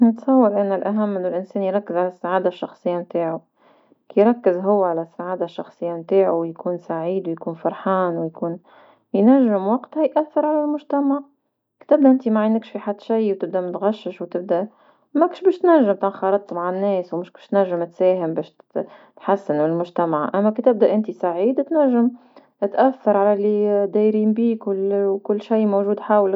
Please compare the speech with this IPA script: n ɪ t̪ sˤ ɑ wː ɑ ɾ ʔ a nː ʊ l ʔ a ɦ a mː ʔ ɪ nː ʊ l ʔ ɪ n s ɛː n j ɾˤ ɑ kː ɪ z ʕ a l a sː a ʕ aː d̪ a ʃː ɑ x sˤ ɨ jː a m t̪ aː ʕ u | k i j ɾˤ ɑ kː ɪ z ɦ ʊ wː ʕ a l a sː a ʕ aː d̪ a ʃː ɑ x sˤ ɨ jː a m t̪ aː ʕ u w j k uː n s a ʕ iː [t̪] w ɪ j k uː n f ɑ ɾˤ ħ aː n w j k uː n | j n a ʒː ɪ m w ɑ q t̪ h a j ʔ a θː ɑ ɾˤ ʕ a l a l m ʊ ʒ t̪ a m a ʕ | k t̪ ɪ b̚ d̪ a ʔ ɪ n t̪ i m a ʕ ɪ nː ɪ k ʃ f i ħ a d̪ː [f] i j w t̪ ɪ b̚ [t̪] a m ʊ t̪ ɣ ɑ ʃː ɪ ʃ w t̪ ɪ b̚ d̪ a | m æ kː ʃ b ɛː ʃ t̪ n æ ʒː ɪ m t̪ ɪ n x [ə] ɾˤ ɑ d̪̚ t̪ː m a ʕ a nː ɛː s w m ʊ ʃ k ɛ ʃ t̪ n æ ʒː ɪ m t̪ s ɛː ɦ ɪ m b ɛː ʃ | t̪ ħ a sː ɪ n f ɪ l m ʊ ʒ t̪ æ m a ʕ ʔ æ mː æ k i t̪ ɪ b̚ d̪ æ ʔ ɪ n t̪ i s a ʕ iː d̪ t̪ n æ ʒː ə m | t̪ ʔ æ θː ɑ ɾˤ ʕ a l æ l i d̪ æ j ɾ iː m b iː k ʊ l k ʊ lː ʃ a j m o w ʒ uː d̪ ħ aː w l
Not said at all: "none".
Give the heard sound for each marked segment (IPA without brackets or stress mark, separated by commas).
d̪, ʃ, d̪, ɑ